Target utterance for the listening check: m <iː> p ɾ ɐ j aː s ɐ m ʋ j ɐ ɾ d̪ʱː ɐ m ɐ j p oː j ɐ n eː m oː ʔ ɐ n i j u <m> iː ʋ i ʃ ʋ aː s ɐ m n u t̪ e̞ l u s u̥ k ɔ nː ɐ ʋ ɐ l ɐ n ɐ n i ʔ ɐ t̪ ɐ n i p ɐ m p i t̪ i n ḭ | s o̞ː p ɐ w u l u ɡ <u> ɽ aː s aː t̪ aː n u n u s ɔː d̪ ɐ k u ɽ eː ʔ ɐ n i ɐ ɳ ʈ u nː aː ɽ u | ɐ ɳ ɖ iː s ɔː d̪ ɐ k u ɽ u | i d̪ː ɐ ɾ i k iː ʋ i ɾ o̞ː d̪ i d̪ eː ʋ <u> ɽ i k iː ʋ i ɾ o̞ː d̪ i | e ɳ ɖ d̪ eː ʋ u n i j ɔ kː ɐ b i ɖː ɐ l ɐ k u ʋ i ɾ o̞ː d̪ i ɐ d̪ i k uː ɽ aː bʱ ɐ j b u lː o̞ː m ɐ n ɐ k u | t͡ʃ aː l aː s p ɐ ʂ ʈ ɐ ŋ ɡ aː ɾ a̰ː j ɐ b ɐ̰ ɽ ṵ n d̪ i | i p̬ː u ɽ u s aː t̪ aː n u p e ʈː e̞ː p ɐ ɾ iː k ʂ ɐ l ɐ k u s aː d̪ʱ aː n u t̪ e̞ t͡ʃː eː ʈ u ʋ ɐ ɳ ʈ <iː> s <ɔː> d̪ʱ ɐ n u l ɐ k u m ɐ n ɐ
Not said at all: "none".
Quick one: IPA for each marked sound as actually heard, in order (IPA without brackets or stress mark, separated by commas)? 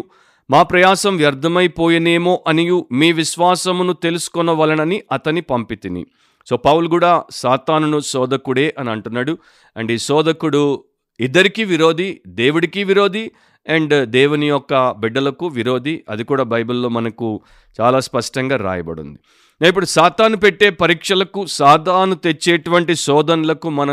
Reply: aː, m, uː, u, i, ɔː